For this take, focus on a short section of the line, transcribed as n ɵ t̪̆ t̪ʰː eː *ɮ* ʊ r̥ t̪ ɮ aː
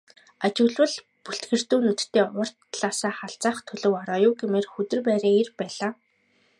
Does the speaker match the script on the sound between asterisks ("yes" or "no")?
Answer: no